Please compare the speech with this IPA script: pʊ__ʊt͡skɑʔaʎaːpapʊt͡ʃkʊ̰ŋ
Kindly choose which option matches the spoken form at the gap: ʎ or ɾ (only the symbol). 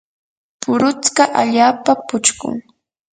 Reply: ɾ